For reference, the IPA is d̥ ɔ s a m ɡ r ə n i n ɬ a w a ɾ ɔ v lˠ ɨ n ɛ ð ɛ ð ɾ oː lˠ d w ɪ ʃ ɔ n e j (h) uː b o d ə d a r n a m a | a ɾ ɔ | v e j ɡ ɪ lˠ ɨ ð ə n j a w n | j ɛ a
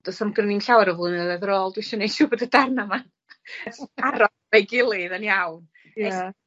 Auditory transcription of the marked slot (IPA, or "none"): ʃ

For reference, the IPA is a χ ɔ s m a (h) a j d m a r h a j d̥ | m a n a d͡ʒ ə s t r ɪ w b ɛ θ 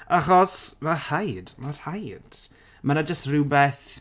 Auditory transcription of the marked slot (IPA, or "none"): h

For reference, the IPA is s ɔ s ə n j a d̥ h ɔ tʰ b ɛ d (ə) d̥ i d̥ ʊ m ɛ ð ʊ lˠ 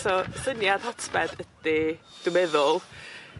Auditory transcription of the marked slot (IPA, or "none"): ə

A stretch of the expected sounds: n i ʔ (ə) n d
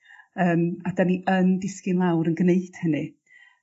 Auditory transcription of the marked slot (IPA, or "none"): ə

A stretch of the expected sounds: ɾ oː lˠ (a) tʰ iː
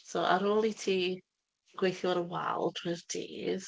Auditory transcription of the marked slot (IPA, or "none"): i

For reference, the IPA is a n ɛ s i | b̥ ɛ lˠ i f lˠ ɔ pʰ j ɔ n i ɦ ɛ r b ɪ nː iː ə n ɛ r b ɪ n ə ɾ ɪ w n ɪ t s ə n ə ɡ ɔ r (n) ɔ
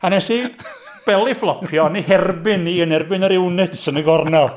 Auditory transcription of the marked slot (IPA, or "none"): n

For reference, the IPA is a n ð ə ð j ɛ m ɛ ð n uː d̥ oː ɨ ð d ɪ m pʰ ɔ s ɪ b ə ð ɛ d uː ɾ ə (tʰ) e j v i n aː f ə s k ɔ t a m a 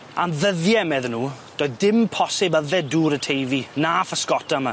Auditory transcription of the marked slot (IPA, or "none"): tʰ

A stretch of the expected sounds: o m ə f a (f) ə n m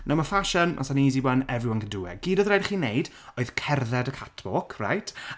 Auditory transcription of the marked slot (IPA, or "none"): ʃ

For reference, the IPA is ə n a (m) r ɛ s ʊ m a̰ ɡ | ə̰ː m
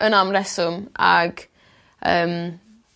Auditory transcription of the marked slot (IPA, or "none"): m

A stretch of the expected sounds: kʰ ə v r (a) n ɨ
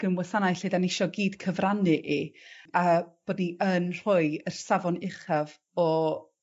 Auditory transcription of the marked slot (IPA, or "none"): a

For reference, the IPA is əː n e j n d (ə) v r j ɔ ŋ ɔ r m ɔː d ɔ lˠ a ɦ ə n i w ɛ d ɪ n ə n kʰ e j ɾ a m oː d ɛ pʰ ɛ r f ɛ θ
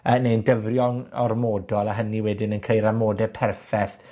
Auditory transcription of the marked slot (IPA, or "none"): ə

